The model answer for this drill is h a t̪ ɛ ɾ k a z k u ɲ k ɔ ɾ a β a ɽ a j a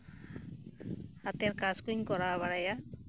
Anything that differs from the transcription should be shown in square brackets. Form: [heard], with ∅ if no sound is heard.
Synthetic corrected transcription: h a t̪ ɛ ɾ k a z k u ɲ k ɔ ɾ a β a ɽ a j a

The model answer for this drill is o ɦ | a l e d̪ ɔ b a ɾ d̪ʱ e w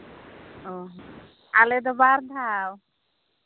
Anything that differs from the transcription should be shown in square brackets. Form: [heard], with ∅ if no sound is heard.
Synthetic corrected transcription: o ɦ | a l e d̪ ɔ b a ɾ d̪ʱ [a] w

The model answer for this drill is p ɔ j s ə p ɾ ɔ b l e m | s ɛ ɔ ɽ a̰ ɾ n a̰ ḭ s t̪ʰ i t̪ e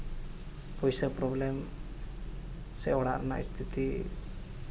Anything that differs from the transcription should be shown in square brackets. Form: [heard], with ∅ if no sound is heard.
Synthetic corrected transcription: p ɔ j s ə p ɾ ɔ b l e m | s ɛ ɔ ɽ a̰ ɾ n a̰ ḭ s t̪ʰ i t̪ [i]

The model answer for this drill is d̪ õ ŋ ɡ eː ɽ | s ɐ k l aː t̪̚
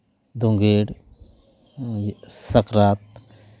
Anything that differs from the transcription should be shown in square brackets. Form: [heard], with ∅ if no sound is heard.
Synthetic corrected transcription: d̪ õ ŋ ɡ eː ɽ | s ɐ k [ɾ] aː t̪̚

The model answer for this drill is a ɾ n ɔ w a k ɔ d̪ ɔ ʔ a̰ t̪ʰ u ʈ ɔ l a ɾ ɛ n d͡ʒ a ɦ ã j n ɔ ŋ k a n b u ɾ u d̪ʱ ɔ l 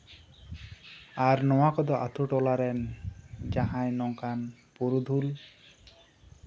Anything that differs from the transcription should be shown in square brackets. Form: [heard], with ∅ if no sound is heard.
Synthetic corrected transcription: a ɾ n ɔ w a k ɔ d̪ ɔ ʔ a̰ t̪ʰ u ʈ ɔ l a ɾ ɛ n d͡ʒ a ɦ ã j n ɔ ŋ k a n [p] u ɾ u d̪ʱ [u] l

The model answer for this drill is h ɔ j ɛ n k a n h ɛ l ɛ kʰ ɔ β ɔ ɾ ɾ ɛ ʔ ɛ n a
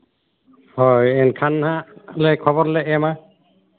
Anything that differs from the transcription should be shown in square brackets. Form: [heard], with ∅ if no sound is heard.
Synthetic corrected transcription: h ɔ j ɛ n [kʰ] a n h [a] l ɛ kʰ ɔ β ɔ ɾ [l] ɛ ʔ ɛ [m] a

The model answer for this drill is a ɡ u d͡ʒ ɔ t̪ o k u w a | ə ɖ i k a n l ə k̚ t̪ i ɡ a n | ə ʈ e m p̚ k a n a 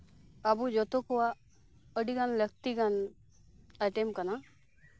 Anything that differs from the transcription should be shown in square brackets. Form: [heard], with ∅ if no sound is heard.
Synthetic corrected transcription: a [b] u d͡ʒ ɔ t̪ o k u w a | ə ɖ i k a n l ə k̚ t̪ i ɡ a n | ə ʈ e m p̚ k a n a

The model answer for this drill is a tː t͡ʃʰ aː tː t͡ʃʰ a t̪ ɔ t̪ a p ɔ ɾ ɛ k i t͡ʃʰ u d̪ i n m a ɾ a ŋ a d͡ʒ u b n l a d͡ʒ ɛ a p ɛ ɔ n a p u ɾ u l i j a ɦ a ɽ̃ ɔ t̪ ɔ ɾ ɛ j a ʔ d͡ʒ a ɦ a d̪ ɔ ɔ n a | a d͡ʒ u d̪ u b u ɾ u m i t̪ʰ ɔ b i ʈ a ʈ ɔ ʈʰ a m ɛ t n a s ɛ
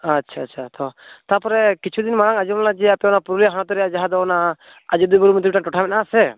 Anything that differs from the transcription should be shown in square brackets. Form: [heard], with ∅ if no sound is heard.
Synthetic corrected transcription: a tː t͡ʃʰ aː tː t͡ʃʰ a t̪ ɔ t̪ a p ɔ ɾ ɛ k i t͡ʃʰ u d̪ i n m a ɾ a ŋ a d͡ʒ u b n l a d͡ʒ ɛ a p ɛ ɔ n a p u ɾ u l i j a ɦ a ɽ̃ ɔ t̪ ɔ ɾ ɛ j a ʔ d͡ʒ a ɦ a d̪ ɔ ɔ n a | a d͡ʒ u d̪ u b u ɾ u m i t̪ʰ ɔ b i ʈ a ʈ ɔ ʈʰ a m ɛ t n a s ɛ

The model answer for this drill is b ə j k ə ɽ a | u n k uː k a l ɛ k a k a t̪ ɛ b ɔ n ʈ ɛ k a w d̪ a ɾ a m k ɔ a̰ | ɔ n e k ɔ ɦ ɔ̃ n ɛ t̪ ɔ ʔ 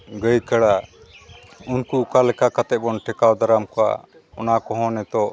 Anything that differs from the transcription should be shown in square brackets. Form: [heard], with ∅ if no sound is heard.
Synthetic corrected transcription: [ɡ] ə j k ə ɽ a | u n k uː k a l ɛ k a k a t̪ ɛ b ɔ n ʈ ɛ k a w d̪ a ɾ a m k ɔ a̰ | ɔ n [a] k ɔ ɦ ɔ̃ n ɛ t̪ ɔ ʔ

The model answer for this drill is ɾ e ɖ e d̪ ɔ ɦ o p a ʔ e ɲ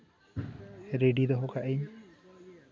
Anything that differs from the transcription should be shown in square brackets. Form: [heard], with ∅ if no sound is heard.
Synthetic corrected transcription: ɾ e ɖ [i] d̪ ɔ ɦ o [k] a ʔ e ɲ

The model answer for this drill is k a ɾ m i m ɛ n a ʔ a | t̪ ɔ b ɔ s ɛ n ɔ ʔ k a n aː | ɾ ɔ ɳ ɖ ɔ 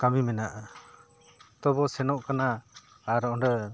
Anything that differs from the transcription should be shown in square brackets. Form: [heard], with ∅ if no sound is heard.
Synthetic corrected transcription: k a [∅] m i m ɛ n a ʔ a | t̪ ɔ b ɔ s ɛ n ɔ ʔ k a n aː | ɾ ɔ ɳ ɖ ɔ

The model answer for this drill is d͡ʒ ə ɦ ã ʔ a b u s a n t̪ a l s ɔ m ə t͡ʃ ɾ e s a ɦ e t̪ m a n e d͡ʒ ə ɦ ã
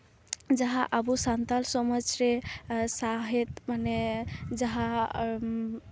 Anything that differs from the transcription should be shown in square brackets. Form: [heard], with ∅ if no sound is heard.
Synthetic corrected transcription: d͡ʒ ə ɦ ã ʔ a b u s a n t̪ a l s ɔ m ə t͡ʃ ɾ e s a ɦ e t̪ m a n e d͡ʒ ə ɦ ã

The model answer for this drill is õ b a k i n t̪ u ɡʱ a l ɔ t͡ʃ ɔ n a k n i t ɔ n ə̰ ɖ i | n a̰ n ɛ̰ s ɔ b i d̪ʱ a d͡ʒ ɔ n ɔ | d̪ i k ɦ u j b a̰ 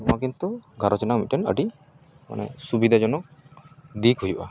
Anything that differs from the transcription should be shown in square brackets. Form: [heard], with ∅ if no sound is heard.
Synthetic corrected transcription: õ [∅] a k i n t̪ u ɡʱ a [ɾ] ɔ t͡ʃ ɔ n a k [m] i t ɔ n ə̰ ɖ i | [m] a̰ n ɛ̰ s [u] b i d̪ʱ a d͡ʒ ɔ n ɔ | d̪ i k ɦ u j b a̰

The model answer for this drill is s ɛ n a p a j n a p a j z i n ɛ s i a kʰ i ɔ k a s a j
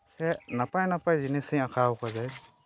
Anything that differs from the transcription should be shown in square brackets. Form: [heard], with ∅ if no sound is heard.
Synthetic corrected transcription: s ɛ n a p a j n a p a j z i n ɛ s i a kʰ [a] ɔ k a [z] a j

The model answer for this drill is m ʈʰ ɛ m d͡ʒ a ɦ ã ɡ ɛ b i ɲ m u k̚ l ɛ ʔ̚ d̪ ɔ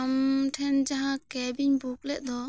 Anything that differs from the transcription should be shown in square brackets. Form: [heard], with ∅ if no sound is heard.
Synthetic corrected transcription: m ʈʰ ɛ [n] d͡ʒ a ɦ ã [k] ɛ b i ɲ [b] u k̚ l ɛ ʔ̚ d̪ ɔ

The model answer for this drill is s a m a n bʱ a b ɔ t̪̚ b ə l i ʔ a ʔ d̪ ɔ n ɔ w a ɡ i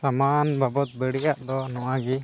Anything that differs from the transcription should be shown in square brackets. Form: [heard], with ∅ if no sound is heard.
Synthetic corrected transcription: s a m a n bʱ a b ɔ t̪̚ b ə [ɽ] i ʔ a ʔ d̪ ɔ n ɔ w a ɡ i

